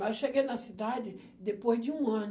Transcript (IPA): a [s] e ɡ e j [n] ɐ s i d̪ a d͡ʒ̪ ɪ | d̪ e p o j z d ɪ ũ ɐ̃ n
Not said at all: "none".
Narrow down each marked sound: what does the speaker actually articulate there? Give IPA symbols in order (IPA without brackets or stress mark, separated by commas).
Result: ʃ, n